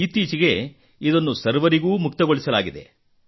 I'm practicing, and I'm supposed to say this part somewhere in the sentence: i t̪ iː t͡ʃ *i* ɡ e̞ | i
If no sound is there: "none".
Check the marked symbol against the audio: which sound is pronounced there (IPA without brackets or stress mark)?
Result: i